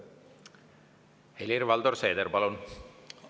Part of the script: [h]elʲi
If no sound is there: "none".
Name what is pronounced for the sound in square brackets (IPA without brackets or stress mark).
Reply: h